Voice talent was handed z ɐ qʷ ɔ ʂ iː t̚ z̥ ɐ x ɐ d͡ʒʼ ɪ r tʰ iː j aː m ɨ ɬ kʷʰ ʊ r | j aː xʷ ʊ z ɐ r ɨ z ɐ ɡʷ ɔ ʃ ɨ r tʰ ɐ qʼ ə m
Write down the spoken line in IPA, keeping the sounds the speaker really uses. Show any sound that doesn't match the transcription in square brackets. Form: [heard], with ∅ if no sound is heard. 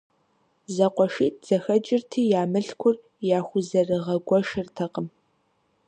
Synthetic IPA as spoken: z ɐ qʷ ɔ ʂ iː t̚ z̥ ɐ x ɐ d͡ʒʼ ɪ r tʰ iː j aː m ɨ ɬ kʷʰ ʊ r | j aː xʷ ʊ z ɐ r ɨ [ʁ] ɐ ɡʷ ɔ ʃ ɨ r tʰ ɐ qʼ ə m